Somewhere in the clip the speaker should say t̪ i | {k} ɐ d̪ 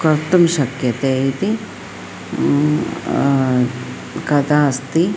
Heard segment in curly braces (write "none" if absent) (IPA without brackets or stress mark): k